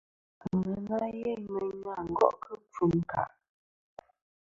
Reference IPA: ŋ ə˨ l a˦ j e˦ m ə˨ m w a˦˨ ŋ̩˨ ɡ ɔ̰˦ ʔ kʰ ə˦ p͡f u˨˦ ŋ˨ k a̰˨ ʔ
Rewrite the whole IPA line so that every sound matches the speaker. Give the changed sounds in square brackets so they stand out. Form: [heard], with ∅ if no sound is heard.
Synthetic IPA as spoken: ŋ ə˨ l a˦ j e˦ m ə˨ [ɲ] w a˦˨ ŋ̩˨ ɡ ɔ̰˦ ʔ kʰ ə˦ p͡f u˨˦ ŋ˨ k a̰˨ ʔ